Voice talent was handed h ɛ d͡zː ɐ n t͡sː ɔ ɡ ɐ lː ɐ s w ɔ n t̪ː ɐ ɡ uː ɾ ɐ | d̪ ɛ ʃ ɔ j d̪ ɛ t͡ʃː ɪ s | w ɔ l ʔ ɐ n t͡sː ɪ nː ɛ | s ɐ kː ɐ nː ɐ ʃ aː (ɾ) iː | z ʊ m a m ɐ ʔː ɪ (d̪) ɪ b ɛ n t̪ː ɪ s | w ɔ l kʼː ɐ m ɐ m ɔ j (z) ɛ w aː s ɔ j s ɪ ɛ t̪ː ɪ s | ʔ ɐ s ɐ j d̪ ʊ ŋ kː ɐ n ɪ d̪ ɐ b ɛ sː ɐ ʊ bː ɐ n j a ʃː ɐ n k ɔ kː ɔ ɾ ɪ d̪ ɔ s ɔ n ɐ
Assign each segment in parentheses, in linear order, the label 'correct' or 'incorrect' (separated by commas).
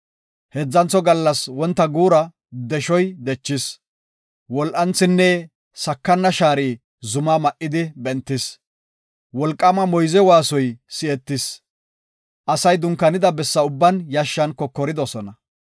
correct, correct, correct